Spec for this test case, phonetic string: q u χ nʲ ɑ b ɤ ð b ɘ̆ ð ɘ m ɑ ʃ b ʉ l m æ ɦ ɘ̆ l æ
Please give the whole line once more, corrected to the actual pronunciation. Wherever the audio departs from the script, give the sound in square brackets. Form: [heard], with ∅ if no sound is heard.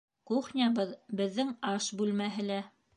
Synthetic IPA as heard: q u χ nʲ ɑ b ɤ ð b ɘ̆ [ðː] ɘ [ŋ] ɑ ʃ b ʉ l m æ ɦ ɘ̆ l æ

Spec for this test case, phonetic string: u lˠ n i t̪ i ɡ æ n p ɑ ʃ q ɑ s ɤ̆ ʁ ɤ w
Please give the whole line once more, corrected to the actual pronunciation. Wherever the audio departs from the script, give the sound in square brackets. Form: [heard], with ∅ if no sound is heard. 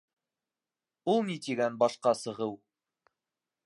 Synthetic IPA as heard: u lˠ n i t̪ i ɡ æ n [b] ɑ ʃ q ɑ s ɤ̆ ʁ ɤ w

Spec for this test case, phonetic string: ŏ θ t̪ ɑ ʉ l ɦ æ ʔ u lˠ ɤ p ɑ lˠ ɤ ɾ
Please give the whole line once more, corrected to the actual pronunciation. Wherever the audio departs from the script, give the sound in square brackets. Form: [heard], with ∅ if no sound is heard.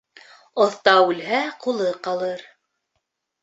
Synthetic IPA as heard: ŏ θ t̪ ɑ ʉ l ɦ æ [q] u lˠ ɤ [q] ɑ lˠ ɤ ɾ

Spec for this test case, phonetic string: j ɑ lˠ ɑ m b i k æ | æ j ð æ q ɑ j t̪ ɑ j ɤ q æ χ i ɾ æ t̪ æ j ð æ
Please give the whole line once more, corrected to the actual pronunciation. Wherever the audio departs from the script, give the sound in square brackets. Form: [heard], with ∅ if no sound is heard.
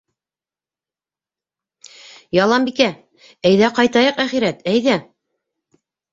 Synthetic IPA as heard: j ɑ lˠ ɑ m b i k æ | æ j ð æ q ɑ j t̪ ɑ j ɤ q æ χ i ɾ æ t̪ æ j ð æ

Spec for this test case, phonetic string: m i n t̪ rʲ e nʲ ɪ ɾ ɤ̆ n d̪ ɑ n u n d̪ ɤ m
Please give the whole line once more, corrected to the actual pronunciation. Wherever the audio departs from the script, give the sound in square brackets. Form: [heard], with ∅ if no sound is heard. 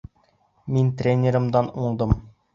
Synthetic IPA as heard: m i n t̪ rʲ e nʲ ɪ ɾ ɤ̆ [m] d̪ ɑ n u [ɴ] d̪ ɤ m

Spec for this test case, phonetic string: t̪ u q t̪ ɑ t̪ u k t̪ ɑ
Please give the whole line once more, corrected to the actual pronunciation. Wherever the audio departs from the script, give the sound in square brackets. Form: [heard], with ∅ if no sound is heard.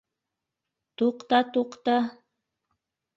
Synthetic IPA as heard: t̪ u q t̪ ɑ t̪ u [q] t̪ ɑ

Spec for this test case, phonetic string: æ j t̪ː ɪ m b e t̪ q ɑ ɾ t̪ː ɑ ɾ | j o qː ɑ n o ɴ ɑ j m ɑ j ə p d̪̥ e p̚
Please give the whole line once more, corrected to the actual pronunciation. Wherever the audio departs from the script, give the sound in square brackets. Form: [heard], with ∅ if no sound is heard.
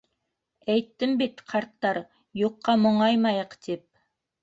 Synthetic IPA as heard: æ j t̪ː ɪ m b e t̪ [qʰ] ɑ ɾ t̪ː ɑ ɾ | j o qː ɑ [m] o ɴ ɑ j m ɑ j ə [q] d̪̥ e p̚

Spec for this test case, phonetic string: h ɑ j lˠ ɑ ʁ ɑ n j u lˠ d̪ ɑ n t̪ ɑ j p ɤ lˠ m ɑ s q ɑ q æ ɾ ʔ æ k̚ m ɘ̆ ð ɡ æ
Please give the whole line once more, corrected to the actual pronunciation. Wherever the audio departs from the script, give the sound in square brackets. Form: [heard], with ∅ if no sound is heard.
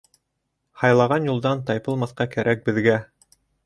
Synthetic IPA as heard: h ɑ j lˠ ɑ ʁ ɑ n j u lˠ d̪ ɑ n t̪ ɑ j p ɤ lˠ m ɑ [θ] q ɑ [k] æ ɾ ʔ æ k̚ [b] ɘ̆ ð ɡ æ

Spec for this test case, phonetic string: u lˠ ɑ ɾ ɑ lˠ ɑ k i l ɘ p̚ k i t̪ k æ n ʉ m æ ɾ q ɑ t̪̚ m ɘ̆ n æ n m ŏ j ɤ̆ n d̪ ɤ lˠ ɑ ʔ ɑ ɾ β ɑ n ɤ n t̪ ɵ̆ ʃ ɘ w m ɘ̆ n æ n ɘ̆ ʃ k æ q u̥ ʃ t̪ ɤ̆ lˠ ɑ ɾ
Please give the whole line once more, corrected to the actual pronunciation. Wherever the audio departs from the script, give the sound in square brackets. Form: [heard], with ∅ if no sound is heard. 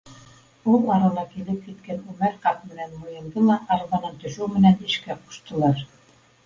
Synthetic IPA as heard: u lˠ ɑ ɾ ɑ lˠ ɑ k i l ɘ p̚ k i t̪ k æ n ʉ m æ ɾ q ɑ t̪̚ m ɘ̆ n æ n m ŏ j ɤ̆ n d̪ ɤ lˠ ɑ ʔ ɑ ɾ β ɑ n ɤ n t̪ ɵ̆ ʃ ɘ w m ɘ̆ n æ n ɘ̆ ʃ k æ q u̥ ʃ t̪ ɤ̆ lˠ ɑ ɾ

